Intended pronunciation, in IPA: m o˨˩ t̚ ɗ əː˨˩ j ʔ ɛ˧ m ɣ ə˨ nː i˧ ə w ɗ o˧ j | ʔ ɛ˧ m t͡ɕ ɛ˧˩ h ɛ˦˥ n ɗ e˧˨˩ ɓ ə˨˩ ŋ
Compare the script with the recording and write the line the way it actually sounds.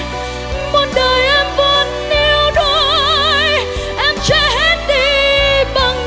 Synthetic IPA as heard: m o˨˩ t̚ ɗ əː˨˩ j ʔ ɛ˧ m v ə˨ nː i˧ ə w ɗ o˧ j | ʔ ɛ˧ m t͡ɕ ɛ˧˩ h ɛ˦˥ n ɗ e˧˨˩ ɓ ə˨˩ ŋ